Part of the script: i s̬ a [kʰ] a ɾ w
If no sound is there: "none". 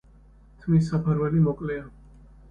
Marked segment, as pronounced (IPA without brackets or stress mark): pʰ